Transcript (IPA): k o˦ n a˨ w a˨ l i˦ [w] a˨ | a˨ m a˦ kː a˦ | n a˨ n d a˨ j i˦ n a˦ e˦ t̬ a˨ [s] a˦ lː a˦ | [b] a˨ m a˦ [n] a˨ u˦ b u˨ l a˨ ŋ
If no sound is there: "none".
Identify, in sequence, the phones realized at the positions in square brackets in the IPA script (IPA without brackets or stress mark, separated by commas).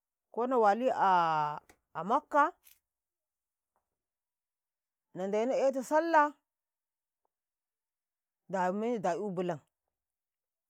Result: none, s, d, d